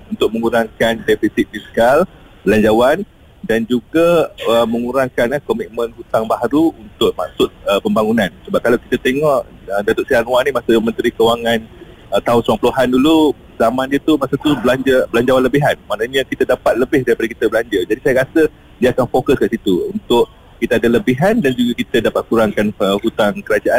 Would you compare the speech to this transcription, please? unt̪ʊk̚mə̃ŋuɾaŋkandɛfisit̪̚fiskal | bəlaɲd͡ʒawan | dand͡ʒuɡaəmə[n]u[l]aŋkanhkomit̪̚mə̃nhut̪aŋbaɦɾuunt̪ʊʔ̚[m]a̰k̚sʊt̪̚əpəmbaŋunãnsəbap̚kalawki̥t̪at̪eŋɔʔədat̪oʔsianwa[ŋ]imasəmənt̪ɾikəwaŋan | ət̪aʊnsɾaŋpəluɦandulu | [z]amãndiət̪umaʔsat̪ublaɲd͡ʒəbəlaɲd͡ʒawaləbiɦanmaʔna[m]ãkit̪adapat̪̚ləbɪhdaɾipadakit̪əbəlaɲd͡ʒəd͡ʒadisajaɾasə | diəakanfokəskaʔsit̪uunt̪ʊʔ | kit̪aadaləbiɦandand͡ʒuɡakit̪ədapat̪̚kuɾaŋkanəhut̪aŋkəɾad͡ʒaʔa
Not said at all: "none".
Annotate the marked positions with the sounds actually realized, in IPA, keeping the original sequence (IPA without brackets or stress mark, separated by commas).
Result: ŋ, ɾ, m, n, z, ɲ